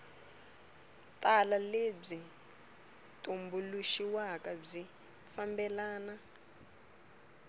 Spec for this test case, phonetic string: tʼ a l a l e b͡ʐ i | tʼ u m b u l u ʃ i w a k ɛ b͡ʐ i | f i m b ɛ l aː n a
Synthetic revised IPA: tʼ a l a l e b͡ʐ i | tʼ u m b u l u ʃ i w a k a b͡ʐ i | f a m b ɛ l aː n a